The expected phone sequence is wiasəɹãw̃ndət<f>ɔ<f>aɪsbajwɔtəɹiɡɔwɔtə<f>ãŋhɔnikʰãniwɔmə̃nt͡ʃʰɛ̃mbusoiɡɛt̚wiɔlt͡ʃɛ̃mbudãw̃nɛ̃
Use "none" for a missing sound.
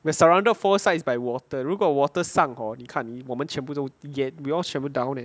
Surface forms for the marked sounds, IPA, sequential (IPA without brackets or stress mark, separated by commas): f, s, s